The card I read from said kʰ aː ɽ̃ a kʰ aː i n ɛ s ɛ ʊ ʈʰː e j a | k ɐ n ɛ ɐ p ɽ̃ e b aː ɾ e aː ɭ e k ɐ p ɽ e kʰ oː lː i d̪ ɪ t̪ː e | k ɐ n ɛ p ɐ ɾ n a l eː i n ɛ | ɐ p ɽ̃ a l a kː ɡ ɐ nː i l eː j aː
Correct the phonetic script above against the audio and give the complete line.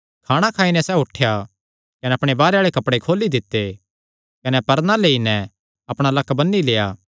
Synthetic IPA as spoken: kʰ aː ɽ̃ a kʰ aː i n ɛ s ɛ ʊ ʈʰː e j a | k ɐ n ɛ ɐ p ɽ̃ e b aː ɾ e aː ɭ e k ɐ p ɽ e kʰ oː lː i d̪ ɪ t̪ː e | k ɐ n ɛ p ɐ ɾ n a l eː i n ɛ | ɐ p ɽ̃ a l ɐ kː b ɐ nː i l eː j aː